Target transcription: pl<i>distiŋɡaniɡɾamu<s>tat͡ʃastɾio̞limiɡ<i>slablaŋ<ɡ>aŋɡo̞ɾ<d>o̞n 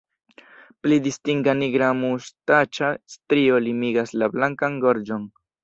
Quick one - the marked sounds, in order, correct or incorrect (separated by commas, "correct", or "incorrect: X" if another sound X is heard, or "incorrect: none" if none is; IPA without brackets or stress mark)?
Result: correct, correct, incorrect: a, incorrect: k, incorrect: d͡ʒ